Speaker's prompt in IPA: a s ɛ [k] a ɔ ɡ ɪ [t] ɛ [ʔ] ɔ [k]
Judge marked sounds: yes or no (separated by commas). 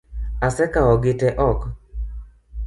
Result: yes, yes, yes, yes